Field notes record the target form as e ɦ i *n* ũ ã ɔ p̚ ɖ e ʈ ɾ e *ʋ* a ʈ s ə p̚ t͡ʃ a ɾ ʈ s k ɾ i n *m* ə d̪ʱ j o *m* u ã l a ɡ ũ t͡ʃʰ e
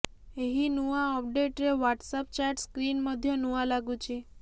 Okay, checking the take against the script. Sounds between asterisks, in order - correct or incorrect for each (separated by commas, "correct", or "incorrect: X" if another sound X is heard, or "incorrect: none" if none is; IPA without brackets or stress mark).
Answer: correct, correct, correct, incorrect: n